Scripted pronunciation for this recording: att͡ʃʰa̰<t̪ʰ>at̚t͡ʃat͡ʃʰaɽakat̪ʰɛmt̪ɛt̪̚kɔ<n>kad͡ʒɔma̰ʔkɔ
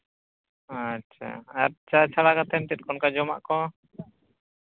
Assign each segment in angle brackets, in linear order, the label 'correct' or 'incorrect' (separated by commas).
incorrect, correct